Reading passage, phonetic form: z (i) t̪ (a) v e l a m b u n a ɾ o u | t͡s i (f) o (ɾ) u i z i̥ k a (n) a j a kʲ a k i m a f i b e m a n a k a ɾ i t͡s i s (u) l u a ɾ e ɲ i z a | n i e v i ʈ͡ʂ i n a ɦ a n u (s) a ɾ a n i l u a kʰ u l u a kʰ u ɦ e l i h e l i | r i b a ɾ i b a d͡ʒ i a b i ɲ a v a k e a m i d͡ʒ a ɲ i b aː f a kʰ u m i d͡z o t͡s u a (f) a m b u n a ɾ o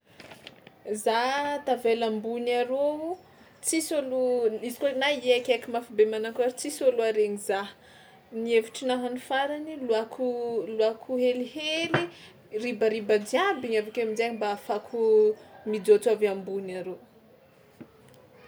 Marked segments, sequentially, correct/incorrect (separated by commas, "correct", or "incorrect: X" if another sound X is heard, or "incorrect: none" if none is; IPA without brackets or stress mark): incorrect: a, correct, incorrect: s, incorrect: l, correct, incorrect: o, incorrect: f, incorrect: v